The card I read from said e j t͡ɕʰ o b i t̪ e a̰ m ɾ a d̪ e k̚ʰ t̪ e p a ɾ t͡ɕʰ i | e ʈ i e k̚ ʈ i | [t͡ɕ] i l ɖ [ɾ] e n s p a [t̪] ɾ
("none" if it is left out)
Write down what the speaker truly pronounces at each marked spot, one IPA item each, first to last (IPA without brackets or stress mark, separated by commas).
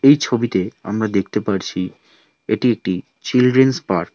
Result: t͡ɕ, ɾ, none